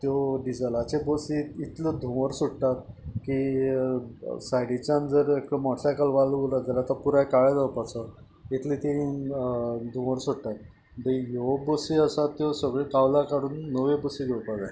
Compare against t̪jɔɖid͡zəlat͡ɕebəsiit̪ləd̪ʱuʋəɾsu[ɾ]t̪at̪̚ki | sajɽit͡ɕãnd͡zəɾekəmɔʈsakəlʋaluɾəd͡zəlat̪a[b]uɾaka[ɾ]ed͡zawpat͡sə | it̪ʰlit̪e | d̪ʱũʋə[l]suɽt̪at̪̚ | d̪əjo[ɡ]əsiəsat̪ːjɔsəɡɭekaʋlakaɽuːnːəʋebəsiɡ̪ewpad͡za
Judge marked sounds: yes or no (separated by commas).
no, no, no, no, no